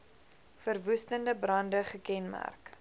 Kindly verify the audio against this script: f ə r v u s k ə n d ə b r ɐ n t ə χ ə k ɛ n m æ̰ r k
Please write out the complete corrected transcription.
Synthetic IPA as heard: f ə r v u s t ə n d ə b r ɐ n d ə χ ə k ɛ n m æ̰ r k